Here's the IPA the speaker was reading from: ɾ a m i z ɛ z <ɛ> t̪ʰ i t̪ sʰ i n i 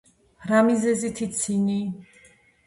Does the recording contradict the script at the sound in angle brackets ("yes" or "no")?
yes